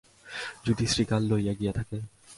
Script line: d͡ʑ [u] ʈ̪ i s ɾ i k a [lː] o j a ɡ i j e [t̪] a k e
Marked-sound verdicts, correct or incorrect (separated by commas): correct, correct, incorrect